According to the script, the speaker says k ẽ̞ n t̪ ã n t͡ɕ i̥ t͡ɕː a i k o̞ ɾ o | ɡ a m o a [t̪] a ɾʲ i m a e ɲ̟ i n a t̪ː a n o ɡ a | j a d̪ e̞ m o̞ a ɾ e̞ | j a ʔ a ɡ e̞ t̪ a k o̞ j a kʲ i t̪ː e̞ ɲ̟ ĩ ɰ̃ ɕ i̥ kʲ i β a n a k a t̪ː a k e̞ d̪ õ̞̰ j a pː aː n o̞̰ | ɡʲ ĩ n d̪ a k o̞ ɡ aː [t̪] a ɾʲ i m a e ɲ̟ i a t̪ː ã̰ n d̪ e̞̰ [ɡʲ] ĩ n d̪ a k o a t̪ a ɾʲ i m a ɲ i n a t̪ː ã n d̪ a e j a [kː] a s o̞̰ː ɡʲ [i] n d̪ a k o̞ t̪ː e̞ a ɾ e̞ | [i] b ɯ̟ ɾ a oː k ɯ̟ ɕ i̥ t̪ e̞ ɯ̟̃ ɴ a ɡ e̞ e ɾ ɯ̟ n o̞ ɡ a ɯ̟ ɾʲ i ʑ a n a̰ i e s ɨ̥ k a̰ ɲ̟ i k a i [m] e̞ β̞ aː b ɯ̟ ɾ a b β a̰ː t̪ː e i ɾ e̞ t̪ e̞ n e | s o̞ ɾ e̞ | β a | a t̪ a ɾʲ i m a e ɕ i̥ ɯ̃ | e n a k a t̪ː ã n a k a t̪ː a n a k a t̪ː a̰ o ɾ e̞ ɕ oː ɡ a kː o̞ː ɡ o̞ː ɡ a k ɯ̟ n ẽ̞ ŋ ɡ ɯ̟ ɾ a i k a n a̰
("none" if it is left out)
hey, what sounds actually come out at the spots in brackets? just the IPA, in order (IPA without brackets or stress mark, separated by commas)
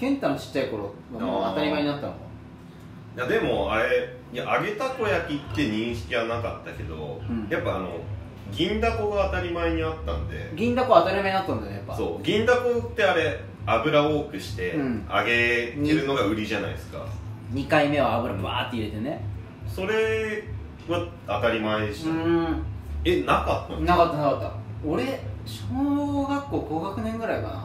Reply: t̪, t̪, ɡʲ, pː, ĩ, a, m